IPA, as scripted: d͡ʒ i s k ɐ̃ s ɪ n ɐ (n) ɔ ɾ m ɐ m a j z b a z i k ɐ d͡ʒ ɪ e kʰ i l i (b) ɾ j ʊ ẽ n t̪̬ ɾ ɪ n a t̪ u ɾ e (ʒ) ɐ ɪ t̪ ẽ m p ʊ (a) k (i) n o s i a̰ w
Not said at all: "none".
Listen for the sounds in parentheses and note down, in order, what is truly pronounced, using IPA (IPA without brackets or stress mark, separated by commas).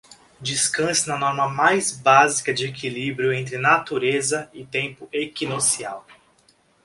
n, b, z, e, i